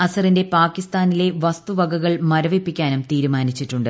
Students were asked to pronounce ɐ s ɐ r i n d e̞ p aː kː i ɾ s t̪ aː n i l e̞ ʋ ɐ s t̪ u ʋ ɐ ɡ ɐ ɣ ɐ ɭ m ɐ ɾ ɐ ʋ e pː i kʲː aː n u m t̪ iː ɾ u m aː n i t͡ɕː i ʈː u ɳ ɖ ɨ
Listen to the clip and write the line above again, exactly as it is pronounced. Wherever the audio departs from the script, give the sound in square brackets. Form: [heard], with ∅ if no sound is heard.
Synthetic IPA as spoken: ɐ s ɐ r i n d e̞ p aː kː i [∅] s t̪ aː n i l e̞ ʋ ɐ s t̪ u ʋ ɐ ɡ ɐ ɣ ɐ ɭ m ɐ ɾ ɐ ʋ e pː i kʲː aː n u m t̪ iː ɾ u m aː n i t͡ɕː i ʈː u ɳ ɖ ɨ